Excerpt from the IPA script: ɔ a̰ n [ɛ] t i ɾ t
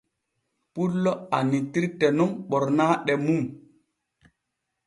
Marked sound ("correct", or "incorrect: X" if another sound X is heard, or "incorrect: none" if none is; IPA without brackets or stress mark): incorrect: i